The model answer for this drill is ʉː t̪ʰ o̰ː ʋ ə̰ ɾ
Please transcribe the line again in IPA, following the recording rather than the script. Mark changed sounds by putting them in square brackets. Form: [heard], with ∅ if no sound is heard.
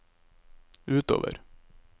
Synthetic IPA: ʉː [t̪] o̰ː ʋ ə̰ ɾ